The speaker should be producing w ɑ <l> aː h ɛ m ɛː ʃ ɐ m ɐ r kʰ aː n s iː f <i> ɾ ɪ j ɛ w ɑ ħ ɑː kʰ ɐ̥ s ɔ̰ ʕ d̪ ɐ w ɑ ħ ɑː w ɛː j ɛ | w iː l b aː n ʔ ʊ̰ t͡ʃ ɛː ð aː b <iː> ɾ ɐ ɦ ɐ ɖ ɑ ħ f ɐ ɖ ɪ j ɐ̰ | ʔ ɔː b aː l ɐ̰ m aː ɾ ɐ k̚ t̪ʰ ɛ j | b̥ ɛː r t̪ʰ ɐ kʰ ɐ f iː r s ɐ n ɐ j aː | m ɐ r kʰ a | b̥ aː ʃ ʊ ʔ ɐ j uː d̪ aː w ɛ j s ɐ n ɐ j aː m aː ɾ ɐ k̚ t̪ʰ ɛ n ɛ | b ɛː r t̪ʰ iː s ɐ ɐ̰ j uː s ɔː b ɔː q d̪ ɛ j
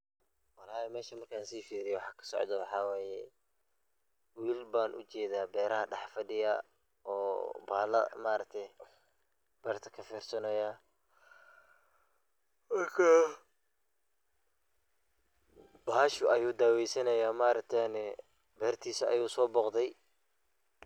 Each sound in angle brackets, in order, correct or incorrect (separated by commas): correct, incorrect, incorrect